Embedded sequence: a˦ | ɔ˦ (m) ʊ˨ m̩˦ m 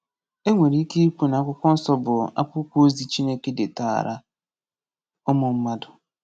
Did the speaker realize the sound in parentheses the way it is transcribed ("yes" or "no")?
yes